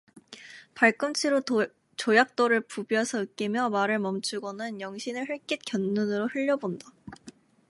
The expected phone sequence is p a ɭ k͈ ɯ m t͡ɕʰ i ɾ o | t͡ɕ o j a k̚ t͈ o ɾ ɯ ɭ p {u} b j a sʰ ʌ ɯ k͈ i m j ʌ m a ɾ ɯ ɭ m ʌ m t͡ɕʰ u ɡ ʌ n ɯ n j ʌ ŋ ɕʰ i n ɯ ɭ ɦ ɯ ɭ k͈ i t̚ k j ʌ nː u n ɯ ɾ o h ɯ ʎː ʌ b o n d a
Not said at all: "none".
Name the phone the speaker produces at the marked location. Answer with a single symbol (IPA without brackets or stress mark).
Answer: u